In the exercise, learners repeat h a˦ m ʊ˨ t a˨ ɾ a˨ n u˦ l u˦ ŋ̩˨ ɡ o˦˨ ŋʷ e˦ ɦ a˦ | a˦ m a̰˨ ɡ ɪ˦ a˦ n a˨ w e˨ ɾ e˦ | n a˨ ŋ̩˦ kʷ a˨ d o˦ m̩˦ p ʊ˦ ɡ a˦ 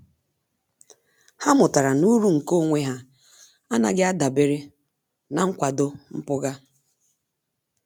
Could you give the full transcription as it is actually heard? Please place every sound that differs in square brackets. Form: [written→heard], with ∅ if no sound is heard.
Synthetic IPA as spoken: h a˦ m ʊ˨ t a˨ ɾ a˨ n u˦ [l→ɾ] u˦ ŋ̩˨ [ɡ→k] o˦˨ ŋʷ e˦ ɦ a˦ | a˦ [m→n] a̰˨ ɡ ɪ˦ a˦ [n→d] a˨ [w→b] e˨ ɾ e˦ | n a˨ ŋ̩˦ kʷ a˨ d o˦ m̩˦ p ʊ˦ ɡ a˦